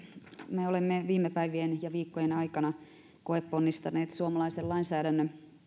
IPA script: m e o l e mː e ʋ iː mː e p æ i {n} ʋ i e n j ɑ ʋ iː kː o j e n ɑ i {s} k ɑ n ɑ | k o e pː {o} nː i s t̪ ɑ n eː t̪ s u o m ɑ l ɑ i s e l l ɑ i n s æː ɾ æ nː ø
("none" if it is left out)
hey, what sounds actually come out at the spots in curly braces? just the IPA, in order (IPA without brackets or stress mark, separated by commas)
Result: none, none, o